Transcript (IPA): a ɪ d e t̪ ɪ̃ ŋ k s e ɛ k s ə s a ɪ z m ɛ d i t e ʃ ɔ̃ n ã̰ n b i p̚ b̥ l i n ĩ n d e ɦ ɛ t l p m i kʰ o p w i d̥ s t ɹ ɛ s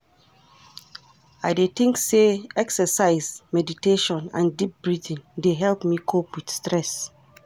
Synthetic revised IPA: a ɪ d e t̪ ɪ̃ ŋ k s e ɛ k s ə s a ɪ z m ɛ d i t e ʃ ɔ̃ n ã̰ n d i p̚ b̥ ɹ i d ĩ n d e ɦ ɛ l p m i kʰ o p w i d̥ s t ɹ ɛ s

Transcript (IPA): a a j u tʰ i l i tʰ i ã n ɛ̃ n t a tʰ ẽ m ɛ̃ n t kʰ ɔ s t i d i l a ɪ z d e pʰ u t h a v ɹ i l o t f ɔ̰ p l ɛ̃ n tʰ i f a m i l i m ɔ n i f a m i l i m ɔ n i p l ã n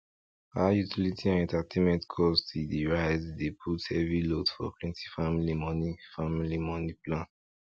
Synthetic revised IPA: a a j u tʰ i l i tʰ i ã n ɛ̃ n t a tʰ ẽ m ɛ̃ n t kʰ ɔ s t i d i ɹ a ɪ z d e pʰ u t h ɛ v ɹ i l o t f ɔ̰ p l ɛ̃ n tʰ i f a m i l i m ɔ n i f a m i l i m ɔ n i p l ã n

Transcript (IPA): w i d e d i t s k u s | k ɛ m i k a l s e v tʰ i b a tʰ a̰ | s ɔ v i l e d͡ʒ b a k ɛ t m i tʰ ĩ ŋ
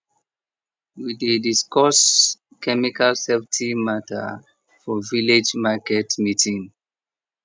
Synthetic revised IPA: w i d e d i s k ɔ s | k ɛ m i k a l s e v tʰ i m a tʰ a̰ | f ɔ v i l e d͡ʒ m a k ɛ t m i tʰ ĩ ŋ

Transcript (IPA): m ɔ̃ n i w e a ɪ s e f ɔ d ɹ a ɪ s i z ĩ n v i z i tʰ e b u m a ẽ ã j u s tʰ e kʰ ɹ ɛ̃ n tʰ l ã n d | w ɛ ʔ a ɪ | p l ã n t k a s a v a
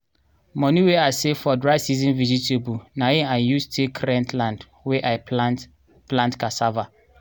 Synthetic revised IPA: m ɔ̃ n i w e a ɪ s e f ɔ d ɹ a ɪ s i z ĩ n v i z i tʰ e b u n a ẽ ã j u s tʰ e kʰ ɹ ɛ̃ n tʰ l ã n d | w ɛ ʔ a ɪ | p l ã n t k a s a v a

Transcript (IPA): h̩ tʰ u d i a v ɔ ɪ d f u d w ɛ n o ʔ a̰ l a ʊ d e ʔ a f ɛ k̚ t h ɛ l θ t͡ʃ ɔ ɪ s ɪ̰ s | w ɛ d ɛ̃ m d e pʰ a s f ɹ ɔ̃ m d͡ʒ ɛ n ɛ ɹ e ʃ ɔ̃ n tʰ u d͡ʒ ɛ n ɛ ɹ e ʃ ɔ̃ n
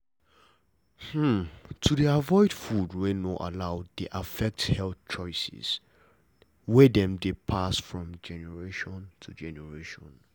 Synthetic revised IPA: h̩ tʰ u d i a v ɔ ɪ d f u d w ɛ n o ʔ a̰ l a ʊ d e ʔ a f ɛ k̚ t h ɛ l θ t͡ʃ ɔ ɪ s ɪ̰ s | w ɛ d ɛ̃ m d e pʰ a s f ɹ ɔ̃ m d͡ʒ ɛ n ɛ ɹ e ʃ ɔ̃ n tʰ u d͡ʒ ɛ n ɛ ɹ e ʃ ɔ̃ n

